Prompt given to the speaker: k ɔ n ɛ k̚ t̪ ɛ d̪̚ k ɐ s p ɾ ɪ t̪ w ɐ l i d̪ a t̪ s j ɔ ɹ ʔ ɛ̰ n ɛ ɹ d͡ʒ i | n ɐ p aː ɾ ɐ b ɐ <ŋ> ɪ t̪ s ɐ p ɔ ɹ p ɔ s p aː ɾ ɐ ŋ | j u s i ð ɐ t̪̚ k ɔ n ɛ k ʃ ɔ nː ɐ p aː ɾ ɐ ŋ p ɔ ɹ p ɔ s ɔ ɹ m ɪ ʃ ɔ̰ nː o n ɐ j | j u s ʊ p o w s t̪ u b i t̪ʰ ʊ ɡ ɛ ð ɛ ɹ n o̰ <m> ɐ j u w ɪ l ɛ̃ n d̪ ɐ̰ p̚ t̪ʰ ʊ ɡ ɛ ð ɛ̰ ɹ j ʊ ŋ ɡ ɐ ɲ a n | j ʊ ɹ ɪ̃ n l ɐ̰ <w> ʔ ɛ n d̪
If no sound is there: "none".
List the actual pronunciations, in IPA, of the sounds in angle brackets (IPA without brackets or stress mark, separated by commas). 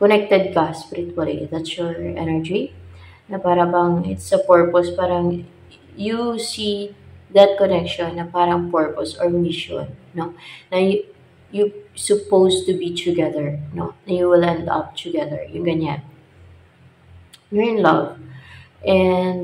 ŋ, n, v